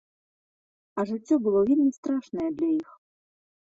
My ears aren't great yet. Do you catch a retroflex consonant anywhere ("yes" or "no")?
yes